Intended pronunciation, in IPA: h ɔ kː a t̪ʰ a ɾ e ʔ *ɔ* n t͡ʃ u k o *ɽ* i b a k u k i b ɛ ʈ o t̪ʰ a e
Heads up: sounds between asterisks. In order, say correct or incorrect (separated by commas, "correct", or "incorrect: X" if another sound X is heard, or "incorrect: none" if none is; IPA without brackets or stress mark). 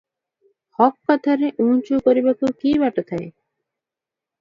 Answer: incorrect: u, incorrect: ɾ